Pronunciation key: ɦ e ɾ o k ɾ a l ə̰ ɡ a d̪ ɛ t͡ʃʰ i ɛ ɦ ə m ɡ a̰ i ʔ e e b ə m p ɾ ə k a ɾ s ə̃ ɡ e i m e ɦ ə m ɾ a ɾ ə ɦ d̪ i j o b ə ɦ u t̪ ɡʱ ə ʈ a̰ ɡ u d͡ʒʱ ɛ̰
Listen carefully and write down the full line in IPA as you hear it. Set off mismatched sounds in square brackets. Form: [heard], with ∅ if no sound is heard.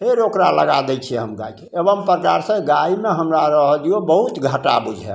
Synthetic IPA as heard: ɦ e ɾ o k ɾ a l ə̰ ɡ a d̪ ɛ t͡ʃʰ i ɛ ɦ ə m ɡ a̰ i [k] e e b ə m p ɾ ə k a ɾ s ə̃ ɡ [a] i m e ɦ ə m ɾ a ɾ ə ɦ d̪ i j o b ə ɦ u t̪ ɡʱ ə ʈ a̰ [b] u d͡ʒʱ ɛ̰